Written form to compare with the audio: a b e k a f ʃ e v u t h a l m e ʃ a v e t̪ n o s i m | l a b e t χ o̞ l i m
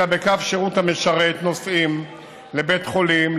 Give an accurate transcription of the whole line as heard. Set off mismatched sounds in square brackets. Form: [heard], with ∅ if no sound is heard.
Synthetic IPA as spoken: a b e k a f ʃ e [ʁ] u t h a [∅] m e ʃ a [ʁ] e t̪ n o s i m | l [e] b e t χ o̞ l i m